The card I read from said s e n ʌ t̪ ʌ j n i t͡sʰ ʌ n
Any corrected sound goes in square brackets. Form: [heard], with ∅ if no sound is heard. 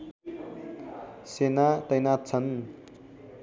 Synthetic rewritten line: s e n [a] t̪ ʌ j n [a] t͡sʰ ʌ n